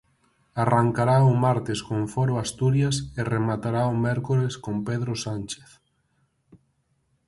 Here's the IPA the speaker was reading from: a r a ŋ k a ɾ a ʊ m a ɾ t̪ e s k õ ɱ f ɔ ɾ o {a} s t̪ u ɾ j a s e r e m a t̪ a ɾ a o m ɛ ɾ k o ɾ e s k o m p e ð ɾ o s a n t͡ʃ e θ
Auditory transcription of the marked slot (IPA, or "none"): a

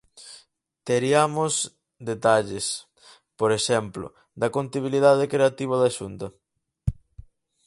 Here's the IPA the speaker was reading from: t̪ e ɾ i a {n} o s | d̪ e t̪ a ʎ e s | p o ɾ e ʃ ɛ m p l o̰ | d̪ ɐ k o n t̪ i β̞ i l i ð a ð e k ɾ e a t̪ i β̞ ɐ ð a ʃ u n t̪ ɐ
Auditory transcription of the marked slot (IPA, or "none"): m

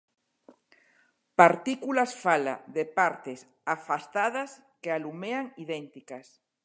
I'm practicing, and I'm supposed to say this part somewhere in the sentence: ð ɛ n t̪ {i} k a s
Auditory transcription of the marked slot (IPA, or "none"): i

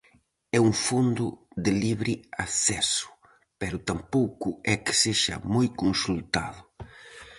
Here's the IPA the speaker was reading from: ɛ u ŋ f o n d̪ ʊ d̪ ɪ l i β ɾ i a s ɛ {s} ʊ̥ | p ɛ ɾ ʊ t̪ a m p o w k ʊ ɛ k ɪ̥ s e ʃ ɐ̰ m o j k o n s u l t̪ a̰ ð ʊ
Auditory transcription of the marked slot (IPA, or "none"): s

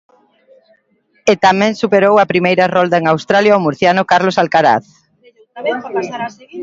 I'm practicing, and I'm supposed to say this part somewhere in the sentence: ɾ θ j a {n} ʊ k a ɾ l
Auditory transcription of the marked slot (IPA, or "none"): n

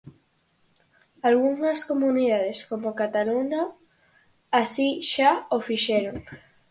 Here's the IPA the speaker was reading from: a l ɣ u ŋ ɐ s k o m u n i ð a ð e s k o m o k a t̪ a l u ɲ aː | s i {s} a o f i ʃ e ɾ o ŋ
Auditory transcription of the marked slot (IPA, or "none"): ʃ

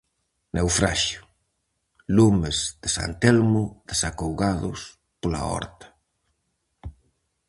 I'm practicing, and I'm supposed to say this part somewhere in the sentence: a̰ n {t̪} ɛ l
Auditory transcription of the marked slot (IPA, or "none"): t̪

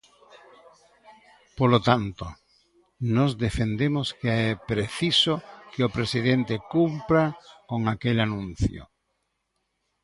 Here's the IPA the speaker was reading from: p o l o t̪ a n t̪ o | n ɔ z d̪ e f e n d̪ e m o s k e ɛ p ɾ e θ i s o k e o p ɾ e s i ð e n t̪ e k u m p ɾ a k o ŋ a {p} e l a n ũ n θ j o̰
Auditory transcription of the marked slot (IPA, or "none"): k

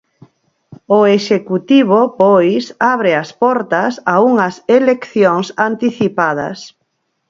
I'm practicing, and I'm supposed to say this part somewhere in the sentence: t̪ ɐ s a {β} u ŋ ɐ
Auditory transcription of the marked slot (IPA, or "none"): none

